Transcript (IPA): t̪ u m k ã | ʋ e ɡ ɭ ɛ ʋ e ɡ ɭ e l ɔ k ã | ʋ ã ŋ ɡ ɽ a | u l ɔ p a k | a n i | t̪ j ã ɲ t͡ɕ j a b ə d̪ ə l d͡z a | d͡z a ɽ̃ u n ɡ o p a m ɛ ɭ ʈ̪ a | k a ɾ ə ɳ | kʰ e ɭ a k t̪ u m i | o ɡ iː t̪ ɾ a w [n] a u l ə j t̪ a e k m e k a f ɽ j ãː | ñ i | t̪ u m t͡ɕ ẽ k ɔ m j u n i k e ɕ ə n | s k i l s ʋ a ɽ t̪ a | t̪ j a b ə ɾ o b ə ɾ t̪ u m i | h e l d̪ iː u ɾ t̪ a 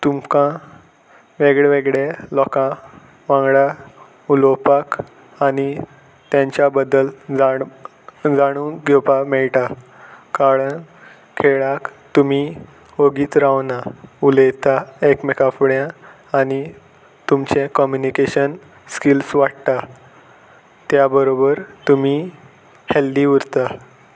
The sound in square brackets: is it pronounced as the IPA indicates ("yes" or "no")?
yes